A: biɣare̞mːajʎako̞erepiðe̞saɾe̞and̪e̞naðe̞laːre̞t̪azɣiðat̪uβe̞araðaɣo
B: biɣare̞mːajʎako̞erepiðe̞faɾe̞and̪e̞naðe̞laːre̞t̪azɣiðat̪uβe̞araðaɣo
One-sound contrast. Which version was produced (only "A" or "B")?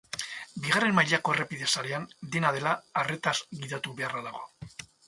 A